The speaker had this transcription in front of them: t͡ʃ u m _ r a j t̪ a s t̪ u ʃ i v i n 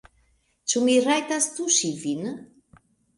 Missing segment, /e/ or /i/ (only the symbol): i